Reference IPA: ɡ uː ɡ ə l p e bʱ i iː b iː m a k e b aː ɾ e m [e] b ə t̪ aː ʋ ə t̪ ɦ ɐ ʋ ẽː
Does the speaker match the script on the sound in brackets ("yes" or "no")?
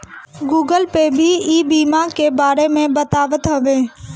no